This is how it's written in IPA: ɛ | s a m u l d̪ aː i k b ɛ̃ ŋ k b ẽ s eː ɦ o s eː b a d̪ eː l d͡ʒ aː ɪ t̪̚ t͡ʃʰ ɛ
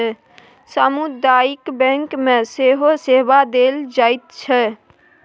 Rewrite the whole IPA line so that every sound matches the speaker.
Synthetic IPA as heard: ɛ | s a m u d̪ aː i k b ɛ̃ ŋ k m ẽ s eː ɦ o s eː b a d̪ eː l d͡ʒ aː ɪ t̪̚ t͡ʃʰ ɛ